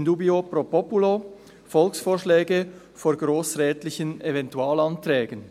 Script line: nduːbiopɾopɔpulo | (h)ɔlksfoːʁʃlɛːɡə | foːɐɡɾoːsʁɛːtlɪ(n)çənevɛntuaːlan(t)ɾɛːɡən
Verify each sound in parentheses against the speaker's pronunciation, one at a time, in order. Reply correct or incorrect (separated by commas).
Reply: incorrect, incorrect, correct